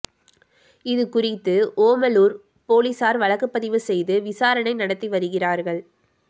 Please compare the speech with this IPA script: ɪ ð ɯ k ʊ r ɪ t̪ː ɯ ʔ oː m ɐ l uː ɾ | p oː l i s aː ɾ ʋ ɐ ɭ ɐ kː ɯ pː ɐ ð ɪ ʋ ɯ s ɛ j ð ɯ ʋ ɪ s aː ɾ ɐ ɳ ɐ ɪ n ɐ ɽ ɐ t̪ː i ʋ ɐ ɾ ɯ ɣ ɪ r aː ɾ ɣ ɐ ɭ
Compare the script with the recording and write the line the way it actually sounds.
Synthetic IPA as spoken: ɪ ð ɯ k ʊ r ɪ t̪ː ɯ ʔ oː m ɐ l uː ɾ | p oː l i s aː ɾ ʋ ɐ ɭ ɐ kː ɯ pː ɐ ð ɪ ʋ ɯ s ɛ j ð ɯ ʋ ɪ s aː ɾ ɐ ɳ ɐ ɪ n ɐ ɽ ɐ t̪ː i ʋ ɐ ɾ ɯ ɣ ɪ r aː ɾ ɣ ɐ ɭ